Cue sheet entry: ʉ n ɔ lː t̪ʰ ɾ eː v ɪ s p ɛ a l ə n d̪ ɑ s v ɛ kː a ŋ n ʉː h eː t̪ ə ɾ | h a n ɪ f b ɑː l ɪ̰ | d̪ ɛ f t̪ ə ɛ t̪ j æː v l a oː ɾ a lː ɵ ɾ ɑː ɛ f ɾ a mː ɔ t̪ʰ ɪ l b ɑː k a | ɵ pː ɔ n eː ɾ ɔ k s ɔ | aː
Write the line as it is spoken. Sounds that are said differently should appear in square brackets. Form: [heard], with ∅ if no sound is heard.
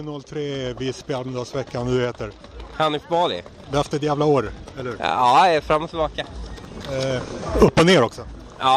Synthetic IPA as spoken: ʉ n ɔ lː t̪ʰ ɾ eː v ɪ s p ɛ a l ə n d̪ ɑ s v ɛ kː a [n] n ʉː h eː t̪ ə ɾ | h a n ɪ f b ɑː l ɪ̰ | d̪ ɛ f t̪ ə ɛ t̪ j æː v l a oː ɾ [ɛ] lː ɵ ɾ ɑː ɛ f ɾ a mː ɔ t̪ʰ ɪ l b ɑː k a | ɵ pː ɔ n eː ɾ ɔ k s ɔ | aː